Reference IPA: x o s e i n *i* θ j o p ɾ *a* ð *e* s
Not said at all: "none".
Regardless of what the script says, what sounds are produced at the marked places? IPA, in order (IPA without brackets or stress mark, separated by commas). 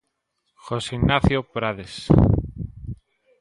a, a, e